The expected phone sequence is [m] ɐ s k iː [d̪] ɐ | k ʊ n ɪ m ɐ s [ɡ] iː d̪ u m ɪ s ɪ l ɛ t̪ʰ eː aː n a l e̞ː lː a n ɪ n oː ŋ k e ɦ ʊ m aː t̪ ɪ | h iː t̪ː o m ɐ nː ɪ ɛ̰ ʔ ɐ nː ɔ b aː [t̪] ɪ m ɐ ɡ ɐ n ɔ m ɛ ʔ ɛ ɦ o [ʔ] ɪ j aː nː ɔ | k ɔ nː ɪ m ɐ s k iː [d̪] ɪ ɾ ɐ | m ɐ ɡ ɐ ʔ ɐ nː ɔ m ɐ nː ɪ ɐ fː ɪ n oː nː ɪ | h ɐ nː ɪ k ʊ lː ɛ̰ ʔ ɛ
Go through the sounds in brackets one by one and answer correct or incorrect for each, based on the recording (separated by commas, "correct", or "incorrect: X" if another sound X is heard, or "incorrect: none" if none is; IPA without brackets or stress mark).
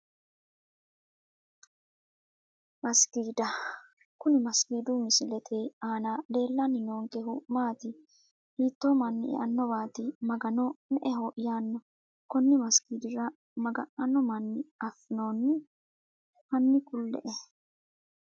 correct, correct, incorrect: k, correct, correct, correct